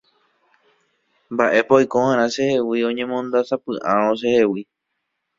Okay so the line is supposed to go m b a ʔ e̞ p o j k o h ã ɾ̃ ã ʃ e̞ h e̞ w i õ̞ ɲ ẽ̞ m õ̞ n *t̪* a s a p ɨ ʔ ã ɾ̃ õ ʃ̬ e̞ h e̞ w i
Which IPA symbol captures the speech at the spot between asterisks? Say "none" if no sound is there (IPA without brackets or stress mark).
d̪